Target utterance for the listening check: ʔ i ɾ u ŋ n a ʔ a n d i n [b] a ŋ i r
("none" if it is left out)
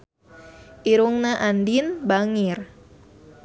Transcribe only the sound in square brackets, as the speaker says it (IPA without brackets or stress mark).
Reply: b